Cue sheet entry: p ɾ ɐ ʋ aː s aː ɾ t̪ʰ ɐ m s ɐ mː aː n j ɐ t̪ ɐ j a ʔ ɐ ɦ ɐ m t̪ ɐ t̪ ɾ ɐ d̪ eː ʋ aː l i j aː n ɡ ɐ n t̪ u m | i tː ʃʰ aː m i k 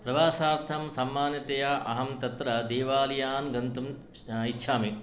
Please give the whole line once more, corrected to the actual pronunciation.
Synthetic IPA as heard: p ɾ ɐ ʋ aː s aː ɾ t̪ʰ ɐ m s ɐ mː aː n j ɐ t̪ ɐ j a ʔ ɐ ɦ ɐ m t̪ ɐ t̪ ɾ ɐ d̪ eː ʋ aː l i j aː n ɡ ɐ n t̪ u m | i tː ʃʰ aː m i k